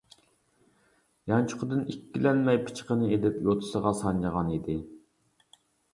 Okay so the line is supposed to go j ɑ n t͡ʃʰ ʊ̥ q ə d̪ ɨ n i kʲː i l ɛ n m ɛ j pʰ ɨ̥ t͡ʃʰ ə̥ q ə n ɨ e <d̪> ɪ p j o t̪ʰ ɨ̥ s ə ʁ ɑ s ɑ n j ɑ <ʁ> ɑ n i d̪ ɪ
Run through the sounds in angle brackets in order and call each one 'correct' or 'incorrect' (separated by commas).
correct, correct